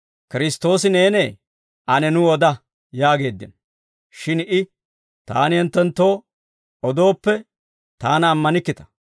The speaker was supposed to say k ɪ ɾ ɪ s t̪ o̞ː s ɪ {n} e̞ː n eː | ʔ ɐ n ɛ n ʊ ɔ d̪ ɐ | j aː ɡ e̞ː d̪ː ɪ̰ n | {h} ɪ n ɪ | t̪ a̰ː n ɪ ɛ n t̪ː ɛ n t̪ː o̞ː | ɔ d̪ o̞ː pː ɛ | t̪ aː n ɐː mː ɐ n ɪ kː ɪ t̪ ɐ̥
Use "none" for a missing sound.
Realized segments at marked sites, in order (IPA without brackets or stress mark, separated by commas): n, ʃ